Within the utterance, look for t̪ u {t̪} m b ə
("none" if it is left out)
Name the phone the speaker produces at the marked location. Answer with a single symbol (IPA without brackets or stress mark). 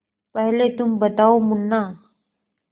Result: none